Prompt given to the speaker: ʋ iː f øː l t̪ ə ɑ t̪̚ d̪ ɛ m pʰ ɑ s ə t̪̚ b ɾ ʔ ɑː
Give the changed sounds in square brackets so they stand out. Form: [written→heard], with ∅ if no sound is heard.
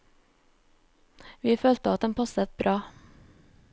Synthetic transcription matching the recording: ʋ iː f øː l t̪ ə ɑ t̪̚ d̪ ɛ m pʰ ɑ s ə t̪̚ b ɾ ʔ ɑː